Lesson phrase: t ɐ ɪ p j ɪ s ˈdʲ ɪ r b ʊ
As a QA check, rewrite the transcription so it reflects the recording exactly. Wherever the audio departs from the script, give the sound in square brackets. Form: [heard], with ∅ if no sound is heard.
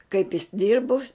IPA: [k] ɐ ɪ p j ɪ s ˈdʲ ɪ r b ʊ